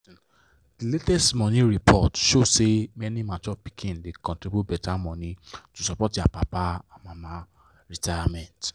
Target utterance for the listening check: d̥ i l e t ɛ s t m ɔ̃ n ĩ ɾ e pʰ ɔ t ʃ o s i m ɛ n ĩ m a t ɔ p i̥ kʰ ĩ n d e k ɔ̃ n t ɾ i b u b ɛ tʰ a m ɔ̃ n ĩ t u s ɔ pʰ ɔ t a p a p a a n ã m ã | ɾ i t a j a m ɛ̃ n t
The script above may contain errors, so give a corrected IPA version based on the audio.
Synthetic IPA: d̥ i l e t ɛ s t m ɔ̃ n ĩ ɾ i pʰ ɔ t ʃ o s e m ɛ n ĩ m a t ɔ p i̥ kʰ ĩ n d e k ɔ̃ n t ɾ i b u b ɛ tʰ a m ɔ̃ n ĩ t u s ɔ p ɔ t a p a p a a m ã m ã | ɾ i t a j a m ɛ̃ n t